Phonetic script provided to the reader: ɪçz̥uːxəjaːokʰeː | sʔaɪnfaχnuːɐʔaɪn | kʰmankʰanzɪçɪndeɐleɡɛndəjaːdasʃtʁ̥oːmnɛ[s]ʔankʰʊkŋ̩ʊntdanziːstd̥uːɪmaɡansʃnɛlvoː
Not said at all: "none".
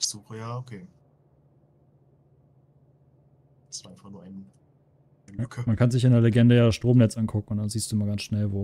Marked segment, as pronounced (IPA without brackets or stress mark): t͡s